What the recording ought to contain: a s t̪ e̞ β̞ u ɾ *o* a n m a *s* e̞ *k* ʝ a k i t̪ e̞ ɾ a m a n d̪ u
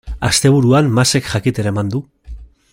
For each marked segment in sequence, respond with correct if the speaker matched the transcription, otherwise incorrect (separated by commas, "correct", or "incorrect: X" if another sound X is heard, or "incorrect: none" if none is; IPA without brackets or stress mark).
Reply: incorrect: u, correct, correct